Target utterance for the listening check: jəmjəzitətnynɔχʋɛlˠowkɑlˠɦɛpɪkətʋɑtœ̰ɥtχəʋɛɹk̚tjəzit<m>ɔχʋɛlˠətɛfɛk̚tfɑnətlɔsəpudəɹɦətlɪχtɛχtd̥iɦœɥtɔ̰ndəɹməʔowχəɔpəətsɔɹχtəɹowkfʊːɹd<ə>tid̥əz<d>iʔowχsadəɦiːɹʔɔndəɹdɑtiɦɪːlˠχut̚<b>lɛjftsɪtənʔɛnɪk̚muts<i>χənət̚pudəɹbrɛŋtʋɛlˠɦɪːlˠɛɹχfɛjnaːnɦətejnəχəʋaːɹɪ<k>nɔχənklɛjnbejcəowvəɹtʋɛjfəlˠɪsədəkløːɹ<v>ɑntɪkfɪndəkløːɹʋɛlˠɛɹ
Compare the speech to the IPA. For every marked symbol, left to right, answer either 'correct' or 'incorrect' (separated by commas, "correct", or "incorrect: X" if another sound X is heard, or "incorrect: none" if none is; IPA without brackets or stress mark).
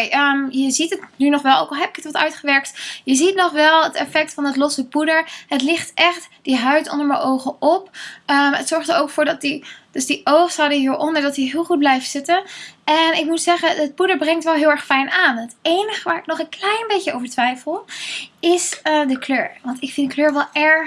incorrect: n, incorrect: ɑ, correct, correct, incorrect: ɛ, correct, incorrect: ʋ